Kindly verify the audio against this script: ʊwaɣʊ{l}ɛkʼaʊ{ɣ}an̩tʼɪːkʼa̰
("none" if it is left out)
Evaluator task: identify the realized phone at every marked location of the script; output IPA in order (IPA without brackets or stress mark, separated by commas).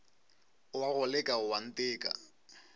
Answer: l, w